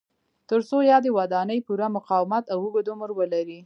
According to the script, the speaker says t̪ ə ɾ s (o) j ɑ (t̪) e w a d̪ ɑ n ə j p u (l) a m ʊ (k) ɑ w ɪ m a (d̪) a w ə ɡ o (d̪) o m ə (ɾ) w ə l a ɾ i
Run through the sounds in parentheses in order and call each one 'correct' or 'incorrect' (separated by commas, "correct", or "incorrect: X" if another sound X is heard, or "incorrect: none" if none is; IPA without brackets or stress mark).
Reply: correct, incorrect: d̪, incorrect: ɾ, incorrect: q, incorrect: t̪, correct, correct